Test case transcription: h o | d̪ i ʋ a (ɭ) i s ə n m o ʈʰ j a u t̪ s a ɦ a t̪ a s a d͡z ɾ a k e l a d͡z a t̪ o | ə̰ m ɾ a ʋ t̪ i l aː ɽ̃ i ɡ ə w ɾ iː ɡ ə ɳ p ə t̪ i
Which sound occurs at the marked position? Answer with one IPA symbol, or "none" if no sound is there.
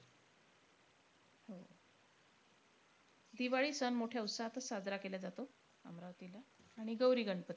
ɭ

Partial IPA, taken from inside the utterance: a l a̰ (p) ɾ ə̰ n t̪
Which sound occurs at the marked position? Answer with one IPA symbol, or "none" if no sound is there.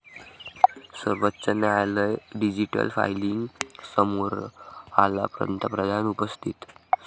p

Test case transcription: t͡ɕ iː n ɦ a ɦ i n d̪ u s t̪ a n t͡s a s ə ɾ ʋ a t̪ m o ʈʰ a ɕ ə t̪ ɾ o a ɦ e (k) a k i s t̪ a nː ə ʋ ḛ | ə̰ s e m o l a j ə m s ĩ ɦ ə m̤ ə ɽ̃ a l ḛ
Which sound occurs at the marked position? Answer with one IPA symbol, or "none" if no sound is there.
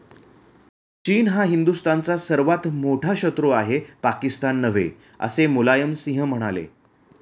p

